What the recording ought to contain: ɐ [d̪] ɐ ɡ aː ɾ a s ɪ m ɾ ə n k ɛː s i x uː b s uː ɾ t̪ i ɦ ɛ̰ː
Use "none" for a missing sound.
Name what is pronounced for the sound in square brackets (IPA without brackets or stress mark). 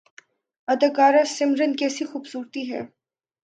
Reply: d̪